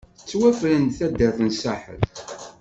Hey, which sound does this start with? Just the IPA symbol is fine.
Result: t͡sː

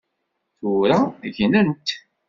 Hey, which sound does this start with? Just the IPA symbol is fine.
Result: θ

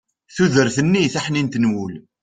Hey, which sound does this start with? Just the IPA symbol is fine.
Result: θ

